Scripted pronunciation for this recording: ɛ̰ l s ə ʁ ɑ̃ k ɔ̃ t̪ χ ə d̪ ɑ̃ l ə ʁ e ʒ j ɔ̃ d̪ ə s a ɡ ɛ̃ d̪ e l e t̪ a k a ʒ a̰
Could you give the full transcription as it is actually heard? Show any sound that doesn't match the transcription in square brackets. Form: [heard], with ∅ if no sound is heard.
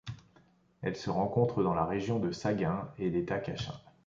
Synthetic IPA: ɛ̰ l s ə ʁ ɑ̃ k ɔ̃ t̪ χ ə d̪ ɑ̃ l [a] ʁ e ʒ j ɔ̃ d̪ ə s a ɡ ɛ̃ [∅] e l e t̪ a k a [ʃ] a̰